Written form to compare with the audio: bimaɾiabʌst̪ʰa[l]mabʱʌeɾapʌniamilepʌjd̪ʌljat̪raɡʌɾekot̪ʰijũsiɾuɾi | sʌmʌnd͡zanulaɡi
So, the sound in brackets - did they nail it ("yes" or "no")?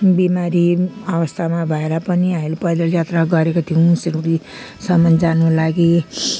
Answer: no